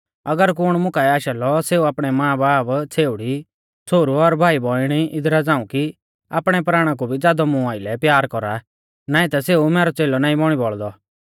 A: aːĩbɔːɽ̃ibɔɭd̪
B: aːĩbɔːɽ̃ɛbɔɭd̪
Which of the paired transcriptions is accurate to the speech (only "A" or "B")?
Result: A